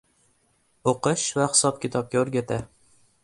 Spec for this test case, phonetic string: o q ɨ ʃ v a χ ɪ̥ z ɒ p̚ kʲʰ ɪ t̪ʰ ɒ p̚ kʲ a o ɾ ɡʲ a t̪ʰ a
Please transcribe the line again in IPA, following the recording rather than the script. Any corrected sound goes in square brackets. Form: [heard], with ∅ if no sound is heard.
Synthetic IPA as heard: o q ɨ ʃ v a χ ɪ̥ [s] ɒ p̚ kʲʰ ɪ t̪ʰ ɒ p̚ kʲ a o ɾ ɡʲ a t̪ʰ a